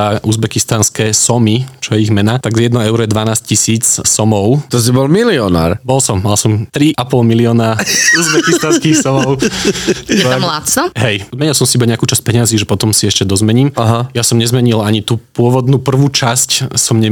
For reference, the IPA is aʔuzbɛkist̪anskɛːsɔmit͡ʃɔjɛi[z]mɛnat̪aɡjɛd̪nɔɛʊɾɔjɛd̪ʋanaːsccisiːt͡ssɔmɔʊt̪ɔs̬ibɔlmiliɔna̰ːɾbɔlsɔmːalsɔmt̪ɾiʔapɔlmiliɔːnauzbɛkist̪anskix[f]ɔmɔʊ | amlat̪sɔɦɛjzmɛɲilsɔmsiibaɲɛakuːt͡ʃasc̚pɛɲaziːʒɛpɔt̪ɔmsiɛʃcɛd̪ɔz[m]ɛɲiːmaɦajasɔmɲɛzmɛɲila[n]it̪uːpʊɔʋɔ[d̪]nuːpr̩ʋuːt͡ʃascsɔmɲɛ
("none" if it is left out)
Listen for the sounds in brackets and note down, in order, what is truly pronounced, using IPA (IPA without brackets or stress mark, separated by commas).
ɣ, s, m, ɲ, d̪